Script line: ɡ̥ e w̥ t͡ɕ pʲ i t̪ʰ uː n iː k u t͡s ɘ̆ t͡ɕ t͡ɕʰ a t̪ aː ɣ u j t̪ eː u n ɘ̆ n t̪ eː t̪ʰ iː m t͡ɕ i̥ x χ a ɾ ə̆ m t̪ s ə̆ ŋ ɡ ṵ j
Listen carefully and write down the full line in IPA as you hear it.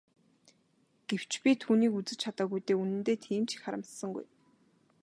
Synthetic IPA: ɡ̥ e w̥ t͡ɕ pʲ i t̪ʰ uː n iː k u t͡s ɘ̆ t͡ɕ t͡ɕʰ a t̪ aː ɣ u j t̪ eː u n ɘ̆ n t̪ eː t̪ʰ iː m t͡ɕ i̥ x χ a ɾ ə̆ m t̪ s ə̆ ŋ ɡ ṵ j

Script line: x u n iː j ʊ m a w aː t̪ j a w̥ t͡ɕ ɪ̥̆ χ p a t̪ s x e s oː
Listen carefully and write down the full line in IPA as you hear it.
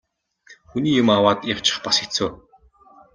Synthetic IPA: x u n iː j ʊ m a w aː t̪ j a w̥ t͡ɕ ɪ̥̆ χ p a s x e t͡s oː

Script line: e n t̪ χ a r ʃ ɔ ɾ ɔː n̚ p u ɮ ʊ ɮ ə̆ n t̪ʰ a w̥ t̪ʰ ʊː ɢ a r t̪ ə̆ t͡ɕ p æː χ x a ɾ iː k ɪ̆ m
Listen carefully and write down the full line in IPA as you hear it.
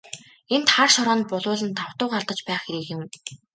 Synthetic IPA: e n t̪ χ a r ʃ ɔ ɾ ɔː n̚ p ʊ ɮ ʊː ɮ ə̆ n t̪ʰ a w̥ t̪ ʊː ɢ a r t̪ ə̆ t͡ɕ p æː χ x e ɾ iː k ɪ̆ m

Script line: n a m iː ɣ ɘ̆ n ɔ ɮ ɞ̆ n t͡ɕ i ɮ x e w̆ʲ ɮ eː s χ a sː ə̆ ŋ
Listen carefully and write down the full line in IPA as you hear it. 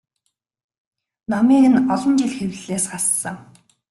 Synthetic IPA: n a m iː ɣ ɘ̆ n ɔ ɮ ɞ̆ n t͡ɕ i ɮ x e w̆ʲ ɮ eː s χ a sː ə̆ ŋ

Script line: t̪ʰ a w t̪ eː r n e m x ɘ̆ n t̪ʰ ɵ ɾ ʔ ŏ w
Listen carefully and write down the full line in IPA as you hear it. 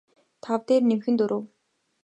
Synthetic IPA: t̪ʰ a w t̪ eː r n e m x ɘ̆ n t̪ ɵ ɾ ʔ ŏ w

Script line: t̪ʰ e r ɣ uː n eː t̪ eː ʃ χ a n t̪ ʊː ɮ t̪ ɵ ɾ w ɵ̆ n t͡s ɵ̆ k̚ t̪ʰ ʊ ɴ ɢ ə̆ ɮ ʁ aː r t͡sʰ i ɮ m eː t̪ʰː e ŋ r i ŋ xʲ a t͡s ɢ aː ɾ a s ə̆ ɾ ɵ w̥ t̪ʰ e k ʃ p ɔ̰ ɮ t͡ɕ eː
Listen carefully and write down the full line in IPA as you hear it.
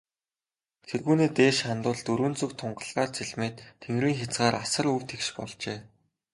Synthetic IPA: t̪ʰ e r ɣ uː n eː t̪ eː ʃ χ a n t̪ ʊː ɮ t̪ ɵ ɾ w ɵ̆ n t͡s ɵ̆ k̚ t̪ʰ ʊ ɴ ɢ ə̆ ɮ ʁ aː r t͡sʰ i ɮ m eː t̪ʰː e ŋ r iː ŋ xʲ a t͡s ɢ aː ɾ a s ə̆ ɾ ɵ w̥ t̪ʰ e k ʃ p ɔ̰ ɮ t͡ɕ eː

